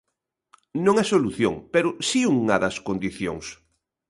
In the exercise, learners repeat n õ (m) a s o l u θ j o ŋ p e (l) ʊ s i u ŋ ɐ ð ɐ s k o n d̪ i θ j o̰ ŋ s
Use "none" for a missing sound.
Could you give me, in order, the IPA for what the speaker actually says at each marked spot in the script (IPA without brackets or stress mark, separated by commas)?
ŋ, ɾ